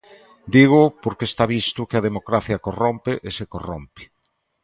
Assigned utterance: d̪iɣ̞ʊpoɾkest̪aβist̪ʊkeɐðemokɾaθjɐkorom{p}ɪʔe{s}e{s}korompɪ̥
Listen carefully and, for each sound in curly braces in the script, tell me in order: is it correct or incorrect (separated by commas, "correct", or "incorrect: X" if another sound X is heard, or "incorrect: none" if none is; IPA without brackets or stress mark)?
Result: correct, correct, incorrect: none